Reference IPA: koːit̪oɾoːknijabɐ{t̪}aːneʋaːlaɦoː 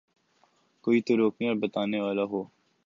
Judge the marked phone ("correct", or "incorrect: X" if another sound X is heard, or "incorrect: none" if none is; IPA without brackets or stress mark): correct